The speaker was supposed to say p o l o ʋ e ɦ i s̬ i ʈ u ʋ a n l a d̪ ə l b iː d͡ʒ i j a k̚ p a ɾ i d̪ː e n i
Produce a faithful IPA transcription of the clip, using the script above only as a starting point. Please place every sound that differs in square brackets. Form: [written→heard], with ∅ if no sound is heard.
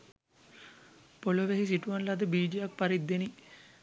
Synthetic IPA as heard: p o l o ʋ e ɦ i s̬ i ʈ u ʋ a n l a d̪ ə [l→∅] b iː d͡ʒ i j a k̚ p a ɾ i d̪ː e n i